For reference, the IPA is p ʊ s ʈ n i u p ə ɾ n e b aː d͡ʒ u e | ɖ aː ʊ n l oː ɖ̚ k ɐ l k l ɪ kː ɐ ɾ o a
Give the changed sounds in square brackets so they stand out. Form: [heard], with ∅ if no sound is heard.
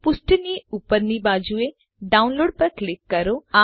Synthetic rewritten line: p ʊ s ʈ n i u p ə ɾ n [i] b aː d͡ʒ u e | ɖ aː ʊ n l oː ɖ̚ [p] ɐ [ɾ] k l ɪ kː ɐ ɾ o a